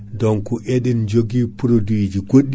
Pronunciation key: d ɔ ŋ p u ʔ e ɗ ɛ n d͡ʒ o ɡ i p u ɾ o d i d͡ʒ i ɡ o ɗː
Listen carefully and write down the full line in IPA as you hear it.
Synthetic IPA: d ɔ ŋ k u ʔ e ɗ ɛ n d͡ʒ o ɡ i p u ɾ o d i d͡ʒ i ɡ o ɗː